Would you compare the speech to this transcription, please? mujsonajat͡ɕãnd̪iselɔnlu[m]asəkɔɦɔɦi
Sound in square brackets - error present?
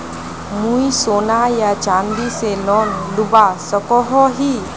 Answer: yes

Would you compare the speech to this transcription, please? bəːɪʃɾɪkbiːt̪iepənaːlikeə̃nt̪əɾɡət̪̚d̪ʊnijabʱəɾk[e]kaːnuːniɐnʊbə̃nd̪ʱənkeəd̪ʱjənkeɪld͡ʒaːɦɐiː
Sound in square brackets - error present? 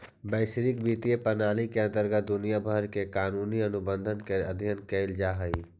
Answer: no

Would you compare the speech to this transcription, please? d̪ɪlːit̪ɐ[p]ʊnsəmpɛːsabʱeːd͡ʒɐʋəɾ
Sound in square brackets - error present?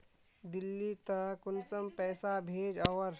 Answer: yes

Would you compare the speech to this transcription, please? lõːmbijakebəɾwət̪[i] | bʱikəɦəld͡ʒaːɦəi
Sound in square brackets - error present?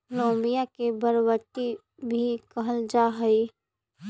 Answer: no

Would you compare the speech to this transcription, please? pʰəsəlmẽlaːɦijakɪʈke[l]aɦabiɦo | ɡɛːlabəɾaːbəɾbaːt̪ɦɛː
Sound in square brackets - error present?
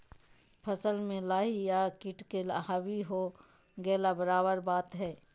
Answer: no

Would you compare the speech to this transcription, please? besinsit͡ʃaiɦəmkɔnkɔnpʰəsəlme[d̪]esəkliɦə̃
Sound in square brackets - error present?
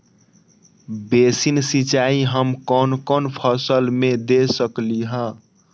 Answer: no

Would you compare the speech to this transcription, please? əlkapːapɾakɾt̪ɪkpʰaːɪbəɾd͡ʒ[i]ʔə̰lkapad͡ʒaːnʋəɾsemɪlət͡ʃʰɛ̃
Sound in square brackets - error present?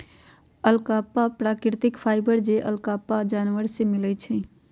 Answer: yes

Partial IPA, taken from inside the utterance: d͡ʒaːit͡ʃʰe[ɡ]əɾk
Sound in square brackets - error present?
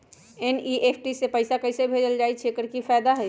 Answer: yes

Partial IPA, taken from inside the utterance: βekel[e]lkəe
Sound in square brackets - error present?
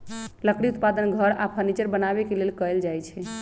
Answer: no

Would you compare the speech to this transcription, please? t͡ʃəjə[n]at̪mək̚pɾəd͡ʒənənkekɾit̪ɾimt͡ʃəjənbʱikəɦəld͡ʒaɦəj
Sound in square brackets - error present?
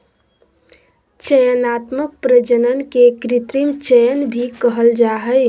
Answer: no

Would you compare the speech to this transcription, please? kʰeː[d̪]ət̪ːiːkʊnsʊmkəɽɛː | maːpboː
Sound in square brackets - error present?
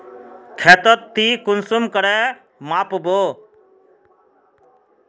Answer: yes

